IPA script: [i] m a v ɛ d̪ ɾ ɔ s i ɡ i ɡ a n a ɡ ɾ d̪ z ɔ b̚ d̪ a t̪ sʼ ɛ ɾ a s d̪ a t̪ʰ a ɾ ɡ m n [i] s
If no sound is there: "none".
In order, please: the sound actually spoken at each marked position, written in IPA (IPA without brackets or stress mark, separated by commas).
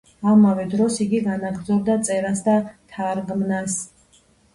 a, a